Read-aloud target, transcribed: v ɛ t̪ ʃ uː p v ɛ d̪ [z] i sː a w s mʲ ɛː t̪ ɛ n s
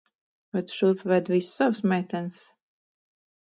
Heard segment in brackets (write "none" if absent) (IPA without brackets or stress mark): v